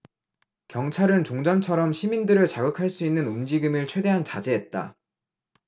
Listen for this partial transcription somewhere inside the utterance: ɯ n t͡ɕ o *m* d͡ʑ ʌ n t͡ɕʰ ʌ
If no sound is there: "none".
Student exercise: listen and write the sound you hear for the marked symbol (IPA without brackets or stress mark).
ŋ